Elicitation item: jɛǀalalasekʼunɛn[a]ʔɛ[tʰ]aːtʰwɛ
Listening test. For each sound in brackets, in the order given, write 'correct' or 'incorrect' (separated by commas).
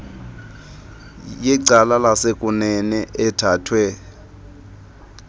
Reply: incorrect, correct